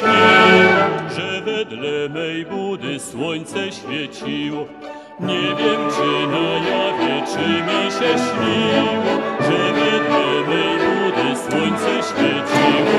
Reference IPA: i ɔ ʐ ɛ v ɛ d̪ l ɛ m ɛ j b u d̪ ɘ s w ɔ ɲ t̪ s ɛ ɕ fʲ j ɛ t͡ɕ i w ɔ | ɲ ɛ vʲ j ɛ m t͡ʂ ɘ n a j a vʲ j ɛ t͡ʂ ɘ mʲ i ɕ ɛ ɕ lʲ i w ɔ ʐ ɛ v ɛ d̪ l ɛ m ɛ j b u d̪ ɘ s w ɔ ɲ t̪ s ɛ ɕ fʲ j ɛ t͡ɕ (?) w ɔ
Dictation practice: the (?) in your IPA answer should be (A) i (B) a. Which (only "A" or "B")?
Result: A